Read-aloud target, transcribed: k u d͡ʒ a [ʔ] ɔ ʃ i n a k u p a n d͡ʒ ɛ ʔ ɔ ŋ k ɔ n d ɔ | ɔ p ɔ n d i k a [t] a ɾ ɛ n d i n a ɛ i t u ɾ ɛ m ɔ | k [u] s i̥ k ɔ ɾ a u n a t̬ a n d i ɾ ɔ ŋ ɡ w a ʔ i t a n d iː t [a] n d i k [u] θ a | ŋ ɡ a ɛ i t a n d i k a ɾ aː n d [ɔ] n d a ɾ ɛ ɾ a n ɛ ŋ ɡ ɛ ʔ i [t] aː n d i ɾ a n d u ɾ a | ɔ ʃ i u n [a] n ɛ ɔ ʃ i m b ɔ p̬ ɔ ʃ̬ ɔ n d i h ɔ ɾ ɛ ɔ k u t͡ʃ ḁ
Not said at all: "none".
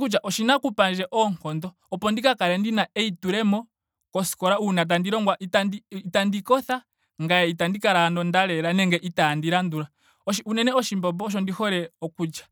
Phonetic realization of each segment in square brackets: ʔ, k, ɔ, a, ɔ, ɔ, t, ɛ

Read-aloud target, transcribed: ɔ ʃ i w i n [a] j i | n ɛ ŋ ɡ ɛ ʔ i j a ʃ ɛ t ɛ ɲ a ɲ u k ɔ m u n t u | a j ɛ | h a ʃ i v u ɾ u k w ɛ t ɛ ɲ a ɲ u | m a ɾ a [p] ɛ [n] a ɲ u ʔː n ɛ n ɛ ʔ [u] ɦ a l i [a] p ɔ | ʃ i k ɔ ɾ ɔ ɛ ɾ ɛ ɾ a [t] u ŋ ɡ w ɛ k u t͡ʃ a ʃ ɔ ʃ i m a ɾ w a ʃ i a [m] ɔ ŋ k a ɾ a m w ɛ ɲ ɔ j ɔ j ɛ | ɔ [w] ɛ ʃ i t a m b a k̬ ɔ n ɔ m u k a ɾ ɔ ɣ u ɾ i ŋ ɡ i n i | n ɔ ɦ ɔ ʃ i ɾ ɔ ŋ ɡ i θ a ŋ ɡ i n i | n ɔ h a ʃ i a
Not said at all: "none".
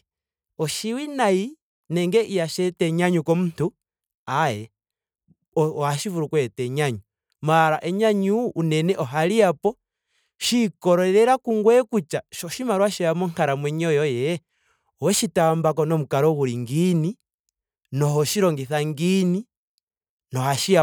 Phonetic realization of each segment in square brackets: a, ʔ, ɲ, ɔ, a, k, m, w

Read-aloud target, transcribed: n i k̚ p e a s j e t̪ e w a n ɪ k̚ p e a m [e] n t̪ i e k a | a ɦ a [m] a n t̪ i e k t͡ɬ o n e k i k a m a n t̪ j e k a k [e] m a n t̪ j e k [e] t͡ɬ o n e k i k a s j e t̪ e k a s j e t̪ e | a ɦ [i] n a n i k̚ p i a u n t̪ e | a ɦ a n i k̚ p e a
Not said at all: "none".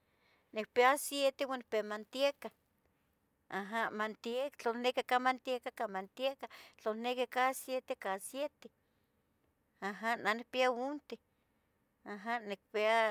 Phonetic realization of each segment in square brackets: a, m, a, a, a

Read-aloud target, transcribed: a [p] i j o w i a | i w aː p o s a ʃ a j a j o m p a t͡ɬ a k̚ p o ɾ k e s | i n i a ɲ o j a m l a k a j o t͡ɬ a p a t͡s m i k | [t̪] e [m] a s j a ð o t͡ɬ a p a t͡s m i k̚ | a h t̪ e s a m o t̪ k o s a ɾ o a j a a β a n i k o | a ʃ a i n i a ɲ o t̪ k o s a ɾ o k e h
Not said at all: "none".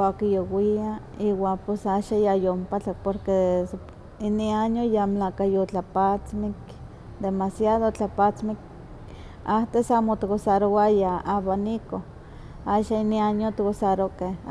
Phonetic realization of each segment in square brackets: k, d̪, m

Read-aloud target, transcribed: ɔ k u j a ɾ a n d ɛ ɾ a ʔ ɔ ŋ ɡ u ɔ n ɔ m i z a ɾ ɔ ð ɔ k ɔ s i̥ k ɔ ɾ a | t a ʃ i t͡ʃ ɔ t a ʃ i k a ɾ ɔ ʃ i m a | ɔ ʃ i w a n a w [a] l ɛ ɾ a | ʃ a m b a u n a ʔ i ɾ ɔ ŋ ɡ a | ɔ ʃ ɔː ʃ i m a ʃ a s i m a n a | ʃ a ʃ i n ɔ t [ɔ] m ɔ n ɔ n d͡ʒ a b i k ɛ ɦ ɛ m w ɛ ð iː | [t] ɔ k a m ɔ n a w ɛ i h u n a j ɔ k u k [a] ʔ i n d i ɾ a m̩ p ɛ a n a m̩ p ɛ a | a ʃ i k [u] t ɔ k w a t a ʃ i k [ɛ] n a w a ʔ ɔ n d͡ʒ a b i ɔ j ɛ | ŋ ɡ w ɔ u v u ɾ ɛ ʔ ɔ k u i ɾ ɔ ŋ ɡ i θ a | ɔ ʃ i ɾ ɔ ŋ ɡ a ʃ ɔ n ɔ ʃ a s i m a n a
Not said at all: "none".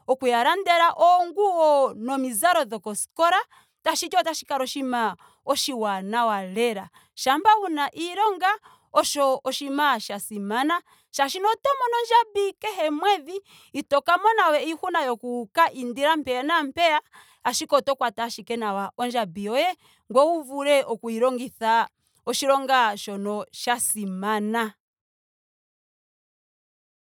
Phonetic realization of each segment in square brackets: a, ɔ, t, a, ɔ, ɛ

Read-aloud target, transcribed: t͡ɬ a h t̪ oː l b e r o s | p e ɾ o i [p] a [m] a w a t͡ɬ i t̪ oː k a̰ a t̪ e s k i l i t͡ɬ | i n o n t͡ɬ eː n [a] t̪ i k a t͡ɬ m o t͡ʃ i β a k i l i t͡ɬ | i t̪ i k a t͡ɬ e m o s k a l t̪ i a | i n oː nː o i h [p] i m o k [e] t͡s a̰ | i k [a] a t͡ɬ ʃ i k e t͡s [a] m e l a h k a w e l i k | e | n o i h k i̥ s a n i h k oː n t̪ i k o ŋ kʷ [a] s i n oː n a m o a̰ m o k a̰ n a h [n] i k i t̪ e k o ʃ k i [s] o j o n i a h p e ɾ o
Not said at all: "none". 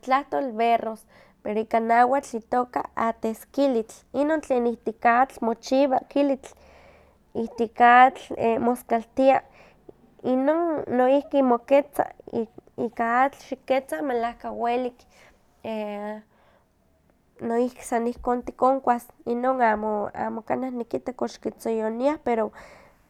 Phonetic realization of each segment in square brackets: k, n, i, k, e, a, a, a, n, t͡s

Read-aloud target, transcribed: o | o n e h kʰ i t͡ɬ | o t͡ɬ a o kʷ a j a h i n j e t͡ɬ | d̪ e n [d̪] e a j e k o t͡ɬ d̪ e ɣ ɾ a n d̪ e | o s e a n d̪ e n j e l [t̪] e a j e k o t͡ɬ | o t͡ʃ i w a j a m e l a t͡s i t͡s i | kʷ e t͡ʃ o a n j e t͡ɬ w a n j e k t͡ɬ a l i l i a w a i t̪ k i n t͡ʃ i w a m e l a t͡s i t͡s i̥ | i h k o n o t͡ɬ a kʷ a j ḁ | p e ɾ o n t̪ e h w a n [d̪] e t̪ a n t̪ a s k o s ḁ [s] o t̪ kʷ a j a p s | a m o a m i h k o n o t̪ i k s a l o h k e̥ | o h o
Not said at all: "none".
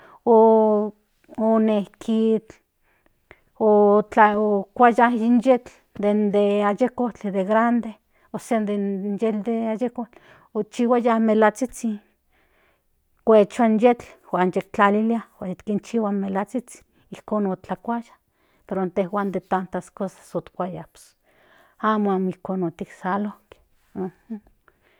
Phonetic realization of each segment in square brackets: d̪, d̪, d̪, s

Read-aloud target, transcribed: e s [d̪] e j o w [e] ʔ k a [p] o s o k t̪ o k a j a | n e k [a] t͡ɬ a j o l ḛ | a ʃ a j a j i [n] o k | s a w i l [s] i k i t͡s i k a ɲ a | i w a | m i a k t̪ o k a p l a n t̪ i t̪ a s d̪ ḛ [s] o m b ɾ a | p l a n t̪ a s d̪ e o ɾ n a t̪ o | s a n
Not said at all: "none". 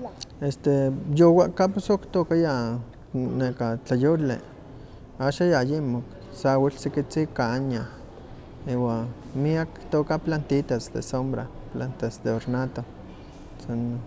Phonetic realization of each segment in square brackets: t̪, a, p, a, m, s, s

